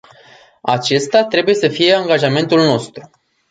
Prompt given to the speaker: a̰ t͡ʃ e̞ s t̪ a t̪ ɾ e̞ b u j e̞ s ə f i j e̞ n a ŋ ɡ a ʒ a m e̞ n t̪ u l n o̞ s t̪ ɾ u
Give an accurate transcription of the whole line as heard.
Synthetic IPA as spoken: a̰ t͡ʃ e̞ s t̪ a t̪ ɾ e̞ b u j e̞ s ə f i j e̞ a ŋ ɡ a ʒ a m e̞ n t̪ u l n o̞ s t̪ ɾ u